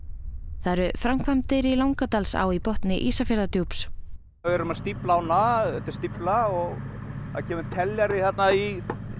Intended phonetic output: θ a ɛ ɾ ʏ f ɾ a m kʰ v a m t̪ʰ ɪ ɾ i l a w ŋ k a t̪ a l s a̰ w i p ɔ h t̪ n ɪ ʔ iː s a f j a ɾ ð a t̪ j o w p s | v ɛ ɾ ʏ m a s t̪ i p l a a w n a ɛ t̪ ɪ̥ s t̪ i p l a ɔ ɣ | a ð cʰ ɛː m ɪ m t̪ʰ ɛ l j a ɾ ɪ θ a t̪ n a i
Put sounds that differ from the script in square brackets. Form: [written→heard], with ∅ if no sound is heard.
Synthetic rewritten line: θ a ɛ ɾ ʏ f ɾ a m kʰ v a m [t̪ʰ→t̪] ɪ ɾ i l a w ŋ k a t̪ a l s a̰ w i p ɔ h t̪ n ɪ ʔ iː s a f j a ɾ ð a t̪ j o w p s | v ɛ ɾ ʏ m a s t̪ i p l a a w n a ɛ t̪ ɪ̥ s t̪ i p l a ɔ ɣ | a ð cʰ ɛː m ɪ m t̪ʰ ɛ l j a ɾ ɪ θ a t̪ n a i